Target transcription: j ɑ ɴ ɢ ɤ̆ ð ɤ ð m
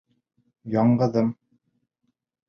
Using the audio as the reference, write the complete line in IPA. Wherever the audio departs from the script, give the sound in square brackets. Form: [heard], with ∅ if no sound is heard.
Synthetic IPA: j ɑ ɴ ɢ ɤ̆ ð ɤ [∅] m